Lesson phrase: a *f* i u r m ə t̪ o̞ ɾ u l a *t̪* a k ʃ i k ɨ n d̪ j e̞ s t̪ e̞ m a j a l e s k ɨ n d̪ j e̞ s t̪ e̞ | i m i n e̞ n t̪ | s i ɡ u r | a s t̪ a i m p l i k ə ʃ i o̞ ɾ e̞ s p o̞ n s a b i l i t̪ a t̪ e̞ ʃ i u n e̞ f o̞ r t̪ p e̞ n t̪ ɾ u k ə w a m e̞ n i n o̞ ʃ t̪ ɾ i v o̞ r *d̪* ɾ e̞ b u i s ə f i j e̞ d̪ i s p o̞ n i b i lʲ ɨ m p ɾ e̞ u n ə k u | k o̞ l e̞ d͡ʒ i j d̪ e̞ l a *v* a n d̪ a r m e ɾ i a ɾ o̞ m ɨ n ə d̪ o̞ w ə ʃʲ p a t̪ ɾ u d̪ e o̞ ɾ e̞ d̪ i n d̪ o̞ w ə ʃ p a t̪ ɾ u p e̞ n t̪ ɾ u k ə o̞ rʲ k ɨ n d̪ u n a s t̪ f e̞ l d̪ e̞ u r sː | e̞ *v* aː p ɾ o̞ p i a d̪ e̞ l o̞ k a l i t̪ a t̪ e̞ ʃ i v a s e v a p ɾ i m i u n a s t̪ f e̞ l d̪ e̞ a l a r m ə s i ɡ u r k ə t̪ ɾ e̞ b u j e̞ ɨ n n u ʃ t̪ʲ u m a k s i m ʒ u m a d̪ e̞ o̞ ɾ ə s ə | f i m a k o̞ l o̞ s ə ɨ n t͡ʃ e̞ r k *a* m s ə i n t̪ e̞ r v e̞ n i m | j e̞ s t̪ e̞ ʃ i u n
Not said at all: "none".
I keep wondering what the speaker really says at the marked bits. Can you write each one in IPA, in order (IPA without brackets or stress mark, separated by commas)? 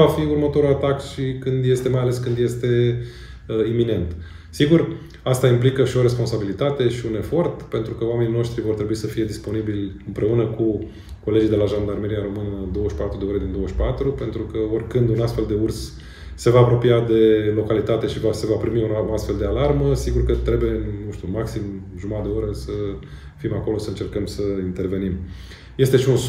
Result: f, t̪, t̪, ʒ, v, ə